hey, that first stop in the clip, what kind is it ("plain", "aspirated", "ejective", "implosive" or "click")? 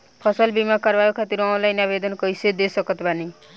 aspirated